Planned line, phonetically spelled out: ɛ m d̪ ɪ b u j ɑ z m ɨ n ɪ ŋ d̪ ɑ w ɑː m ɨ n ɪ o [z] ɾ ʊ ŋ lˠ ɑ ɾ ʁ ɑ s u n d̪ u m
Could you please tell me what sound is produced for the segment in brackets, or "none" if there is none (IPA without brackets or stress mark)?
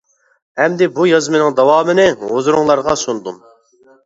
z